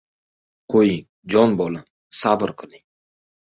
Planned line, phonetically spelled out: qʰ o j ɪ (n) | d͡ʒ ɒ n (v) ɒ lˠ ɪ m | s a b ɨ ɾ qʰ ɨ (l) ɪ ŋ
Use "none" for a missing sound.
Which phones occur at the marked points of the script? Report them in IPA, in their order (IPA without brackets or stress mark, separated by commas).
ŋ, b, l